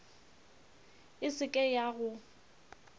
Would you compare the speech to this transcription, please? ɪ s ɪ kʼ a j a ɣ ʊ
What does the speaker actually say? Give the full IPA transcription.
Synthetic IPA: ɪ s ɪ kʼ ɛ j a ɣ ʊ